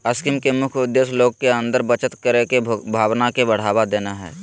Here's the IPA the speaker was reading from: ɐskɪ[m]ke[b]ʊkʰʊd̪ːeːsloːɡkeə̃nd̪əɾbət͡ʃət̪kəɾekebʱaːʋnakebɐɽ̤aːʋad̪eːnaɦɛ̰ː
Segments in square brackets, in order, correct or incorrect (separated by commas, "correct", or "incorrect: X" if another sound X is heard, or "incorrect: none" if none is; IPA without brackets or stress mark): correct, incorrect: m